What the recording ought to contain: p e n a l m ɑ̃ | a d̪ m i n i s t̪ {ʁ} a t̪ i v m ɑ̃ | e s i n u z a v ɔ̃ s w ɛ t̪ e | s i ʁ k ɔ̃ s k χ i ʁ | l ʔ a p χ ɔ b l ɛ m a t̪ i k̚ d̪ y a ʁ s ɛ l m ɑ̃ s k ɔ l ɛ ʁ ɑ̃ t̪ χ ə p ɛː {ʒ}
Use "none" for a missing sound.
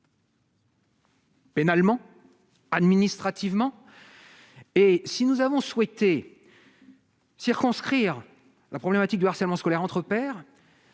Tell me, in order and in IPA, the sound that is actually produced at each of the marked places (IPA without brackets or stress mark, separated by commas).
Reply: χ, ʁ